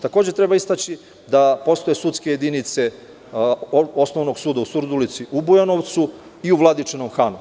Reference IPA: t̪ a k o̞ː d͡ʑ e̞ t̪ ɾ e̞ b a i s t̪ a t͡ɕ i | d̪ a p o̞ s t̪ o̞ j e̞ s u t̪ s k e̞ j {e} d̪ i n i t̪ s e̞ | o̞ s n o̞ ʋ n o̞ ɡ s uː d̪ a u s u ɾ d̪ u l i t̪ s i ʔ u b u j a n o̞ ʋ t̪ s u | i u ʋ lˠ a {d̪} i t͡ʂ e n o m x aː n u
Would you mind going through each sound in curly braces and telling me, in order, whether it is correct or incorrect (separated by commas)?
correct, correct